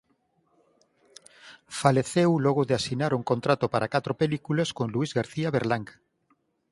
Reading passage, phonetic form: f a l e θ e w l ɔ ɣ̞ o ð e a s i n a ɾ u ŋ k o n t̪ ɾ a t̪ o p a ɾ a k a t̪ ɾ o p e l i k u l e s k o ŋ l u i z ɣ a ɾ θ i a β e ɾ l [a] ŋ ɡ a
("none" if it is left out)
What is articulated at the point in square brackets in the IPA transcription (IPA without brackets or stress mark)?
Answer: a